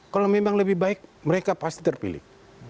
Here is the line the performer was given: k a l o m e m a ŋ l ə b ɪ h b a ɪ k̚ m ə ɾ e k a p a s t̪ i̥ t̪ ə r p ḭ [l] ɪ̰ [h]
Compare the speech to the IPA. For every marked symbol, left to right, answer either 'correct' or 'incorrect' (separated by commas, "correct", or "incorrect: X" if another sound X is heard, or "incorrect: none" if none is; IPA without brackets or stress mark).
correct, correct